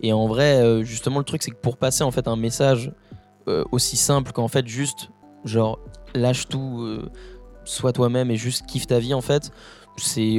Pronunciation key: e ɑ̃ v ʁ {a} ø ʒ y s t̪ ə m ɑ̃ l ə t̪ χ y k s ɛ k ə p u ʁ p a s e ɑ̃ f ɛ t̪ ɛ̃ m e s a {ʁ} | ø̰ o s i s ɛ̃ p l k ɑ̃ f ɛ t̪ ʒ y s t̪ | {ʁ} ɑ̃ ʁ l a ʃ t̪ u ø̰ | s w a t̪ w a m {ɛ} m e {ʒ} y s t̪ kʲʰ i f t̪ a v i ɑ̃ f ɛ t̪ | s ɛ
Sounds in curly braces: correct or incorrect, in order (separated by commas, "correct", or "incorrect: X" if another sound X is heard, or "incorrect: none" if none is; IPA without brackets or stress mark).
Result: incorrect: ɛ, incorrect: ʒ, incorrect: ʒ, correct, correct